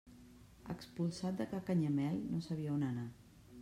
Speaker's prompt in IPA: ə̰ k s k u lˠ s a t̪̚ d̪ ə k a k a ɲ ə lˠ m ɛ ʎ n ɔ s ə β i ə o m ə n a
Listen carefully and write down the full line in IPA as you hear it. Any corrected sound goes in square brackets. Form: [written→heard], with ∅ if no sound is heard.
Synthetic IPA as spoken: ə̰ k s [k→p] u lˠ s a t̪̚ d̪ ə k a k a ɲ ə [lˠ→∅] m ɛ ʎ n [ɔ→o] s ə β i ə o [m→n] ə n a